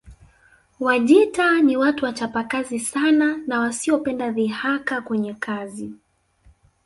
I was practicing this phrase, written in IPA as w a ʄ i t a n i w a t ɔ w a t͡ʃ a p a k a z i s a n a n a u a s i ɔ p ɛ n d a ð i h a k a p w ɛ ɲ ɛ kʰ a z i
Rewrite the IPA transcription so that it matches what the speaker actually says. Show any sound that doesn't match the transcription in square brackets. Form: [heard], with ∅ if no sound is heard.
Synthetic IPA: w a ʄ i t a n i w a t [u] w a t͡ʃ a p a k a z i s a n a n a [w] a s i ɔ p ɛ n d a ð i h a k a [k] w ɛ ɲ ɛ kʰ a z i